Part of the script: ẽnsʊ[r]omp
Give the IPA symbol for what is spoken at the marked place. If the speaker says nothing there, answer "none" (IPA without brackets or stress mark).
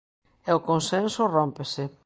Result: r